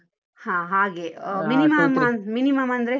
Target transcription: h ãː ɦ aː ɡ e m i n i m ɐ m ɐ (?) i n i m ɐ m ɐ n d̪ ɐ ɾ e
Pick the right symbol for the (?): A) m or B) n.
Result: A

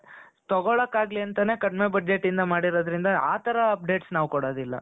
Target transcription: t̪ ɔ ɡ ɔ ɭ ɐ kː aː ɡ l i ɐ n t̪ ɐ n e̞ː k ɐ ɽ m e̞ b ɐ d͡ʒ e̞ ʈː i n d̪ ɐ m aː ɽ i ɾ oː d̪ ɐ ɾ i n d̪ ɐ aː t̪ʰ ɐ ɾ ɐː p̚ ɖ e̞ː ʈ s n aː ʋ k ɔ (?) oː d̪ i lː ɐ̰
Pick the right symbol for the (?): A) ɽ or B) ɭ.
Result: A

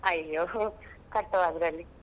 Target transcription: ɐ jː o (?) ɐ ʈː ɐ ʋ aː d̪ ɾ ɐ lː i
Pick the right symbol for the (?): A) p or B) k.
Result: B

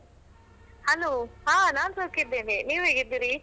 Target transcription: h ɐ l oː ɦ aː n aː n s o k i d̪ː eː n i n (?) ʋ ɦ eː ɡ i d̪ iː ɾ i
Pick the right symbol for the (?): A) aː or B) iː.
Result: B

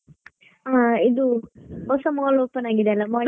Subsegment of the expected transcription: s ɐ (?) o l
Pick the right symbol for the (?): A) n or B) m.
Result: B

